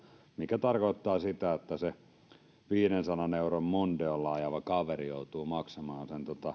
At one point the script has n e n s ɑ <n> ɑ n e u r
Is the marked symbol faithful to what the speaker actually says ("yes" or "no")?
yes